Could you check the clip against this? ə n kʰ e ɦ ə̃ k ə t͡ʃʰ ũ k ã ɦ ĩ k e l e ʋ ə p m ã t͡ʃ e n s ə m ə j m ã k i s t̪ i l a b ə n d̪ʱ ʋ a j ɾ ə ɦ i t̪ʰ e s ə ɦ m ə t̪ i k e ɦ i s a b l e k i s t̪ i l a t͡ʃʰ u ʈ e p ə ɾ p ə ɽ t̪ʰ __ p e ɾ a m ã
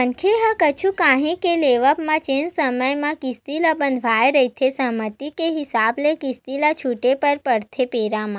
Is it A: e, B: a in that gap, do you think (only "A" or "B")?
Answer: A